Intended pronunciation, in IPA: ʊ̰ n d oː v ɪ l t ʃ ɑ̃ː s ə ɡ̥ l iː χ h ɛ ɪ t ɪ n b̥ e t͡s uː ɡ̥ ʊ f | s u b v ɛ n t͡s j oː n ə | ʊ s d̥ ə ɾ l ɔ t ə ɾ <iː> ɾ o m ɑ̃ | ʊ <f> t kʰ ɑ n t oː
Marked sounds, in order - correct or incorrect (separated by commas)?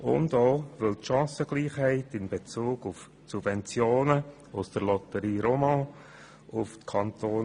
correct, correct